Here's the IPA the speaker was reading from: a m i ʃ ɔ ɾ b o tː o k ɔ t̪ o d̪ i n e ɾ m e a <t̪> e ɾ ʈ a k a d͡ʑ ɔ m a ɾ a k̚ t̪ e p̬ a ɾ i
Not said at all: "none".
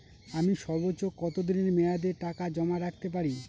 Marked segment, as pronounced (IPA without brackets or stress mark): d̪